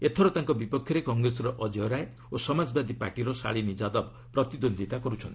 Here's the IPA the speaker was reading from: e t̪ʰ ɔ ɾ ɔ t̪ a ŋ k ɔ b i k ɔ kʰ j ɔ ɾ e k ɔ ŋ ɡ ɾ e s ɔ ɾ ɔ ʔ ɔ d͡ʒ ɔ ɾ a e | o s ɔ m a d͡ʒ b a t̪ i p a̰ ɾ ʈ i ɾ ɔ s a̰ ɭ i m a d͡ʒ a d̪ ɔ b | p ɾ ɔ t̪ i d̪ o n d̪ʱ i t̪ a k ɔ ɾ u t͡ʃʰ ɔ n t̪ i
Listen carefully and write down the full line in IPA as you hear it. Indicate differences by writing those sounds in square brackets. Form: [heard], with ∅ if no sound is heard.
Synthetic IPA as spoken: e t̪ʰ ɔ ɾ ɔ t̪ a ŋ k ɔ b i [p] ɔ kʰ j ɔ ɾ e k ɔ ŋ ɡ ɾ e s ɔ ɾ ɔ ʔ ɔ d͡ʒ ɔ ɾ a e | o s ɔ m a d͡ʒ b a [d̪] i p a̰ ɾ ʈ i ɾ ɔ s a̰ ɭ i m [i] d͡ʒ a d̪ ɔ b | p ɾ ɔ t̪ i d̪ o n d̪ʱ i t̪ a k ɔ ɾ u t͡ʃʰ ɔ n t̪ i